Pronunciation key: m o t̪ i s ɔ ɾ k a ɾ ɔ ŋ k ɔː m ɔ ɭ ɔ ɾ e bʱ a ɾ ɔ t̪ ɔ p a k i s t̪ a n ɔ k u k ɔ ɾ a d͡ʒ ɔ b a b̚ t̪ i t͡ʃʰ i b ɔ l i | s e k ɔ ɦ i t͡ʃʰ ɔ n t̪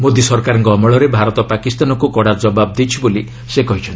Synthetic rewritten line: m o d̪ i s ɔ ɾ k a ɾ ɔ ŋ k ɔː m ɔ ɭ ɔ ɾ e bʱ a ɾ ɔ t̪ ɔ p a k i s t̪ a n ɔ k u k ɔ ɽ a d͡ʒ ɔ b a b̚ d̪ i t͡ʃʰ i b o l i | s e k ɔ ɦ i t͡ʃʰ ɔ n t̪